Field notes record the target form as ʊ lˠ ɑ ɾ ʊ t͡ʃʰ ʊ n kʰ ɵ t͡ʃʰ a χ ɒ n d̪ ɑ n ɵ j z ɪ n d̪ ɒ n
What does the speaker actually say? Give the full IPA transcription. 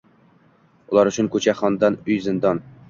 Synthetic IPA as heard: ʊ lˠ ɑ ɾ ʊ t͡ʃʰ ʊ n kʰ ɵ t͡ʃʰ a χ ɒ n d̪ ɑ n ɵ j z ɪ n d̪ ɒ n

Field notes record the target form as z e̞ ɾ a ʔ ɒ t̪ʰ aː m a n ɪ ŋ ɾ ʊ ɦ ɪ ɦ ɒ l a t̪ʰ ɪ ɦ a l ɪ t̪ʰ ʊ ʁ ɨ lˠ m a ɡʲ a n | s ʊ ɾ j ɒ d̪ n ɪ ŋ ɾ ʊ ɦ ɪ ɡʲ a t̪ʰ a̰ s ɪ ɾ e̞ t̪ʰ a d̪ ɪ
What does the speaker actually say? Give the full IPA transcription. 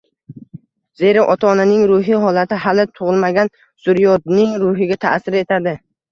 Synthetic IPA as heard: z e̞ ɾ a ʔ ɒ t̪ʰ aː n a n ɪ ŋ ɾ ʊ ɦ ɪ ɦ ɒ l a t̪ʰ ɪ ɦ a l ɪ t̪ʰ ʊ ʁ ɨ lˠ m a ɡʲ a n | s ʊ ɾ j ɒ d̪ n ɪ ŋ ɾ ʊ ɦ ɪ ɡʲ a t̪ʰ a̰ s ɪ ɾ e̞ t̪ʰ a d̪ ɪ

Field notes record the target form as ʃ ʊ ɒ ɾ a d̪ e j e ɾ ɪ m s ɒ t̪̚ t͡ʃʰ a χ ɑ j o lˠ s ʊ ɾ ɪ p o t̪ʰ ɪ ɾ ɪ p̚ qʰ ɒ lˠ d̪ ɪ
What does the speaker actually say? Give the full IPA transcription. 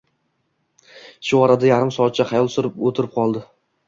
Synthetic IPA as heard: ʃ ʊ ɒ ɾ a d̪ a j a ɾ ɪ m s ɒ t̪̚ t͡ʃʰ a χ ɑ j ɒ lˠ s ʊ ɾ ɪ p o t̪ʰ ɪ ɾ ɪ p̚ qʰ ɒ lˠ d̪ ɪ

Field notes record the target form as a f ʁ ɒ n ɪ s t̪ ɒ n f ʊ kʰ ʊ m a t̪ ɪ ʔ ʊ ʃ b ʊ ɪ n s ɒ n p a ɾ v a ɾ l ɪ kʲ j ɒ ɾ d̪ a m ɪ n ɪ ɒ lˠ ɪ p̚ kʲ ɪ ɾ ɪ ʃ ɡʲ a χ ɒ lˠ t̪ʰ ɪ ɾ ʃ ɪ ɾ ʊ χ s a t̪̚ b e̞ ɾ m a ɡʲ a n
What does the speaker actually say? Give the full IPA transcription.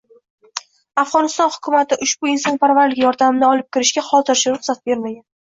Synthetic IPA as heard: a f ʁ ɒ n ɪ s t̪ ɒ n h ʊ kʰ ʊ m a t̪ ɪ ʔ ʊ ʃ b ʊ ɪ n s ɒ n p a ɾ v a ɾ l ɪ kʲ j ɒ ɾ d̪ a m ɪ n ɪ ɒ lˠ ɪ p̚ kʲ ɪ ɾ ɪ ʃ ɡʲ a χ ɒ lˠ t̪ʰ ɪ ɾ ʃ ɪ ɾ ʊ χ s a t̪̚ b e̞ ɾ m a ɡʲ a n

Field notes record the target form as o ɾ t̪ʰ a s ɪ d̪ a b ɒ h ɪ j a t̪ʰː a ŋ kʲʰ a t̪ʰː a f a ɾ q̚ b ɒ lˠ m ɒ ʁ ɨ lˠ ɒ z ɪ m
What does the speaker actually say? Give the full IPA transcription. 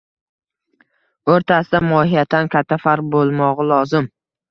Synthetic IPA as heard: o ɾ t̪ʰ a s ɪ d̪ a m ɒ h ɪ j a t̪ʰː a n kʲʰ a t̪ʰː a f a ɾ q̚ b o lˠ m ɒ ʁ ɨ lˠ ɒ z ɪ m

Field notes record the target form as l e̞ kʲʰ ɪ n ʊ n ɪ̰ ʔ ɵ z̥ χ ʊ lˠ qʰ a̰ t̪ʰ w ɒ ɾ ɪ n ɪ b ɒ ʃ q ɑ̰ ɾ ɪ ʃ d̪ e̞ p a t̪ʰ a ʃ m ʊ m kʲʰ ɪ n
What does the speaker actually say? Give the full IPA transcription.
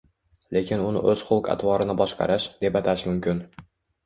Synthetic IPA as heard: l e̞ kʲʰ ɪ n ʊ n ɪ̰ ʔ ɵ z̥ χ ʊ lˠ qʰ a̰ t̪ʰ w ɒ ɾ ɪ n ɪ b ɒ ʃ q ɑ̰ ɾ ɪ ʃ d̪ e̞ p a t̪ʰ a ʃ m ʊ m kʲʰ ɪ n

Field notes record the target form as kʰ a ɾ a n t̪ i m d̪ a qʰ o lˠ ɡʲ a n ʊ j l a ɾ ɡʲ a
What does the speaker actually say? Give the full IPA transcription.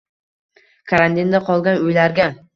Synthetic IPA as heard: kʰ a ɾ a n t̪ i n d̪ a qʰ ɒ lˠ ɡʲ a n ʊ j l a ɾ ɡʲ a

